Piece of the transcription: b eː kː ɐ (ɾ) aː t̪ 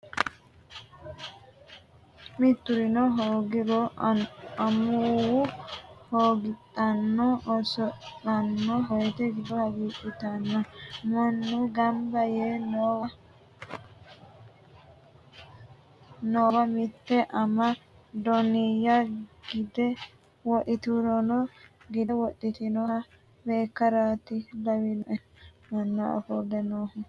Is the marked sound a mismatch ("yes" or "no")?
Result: no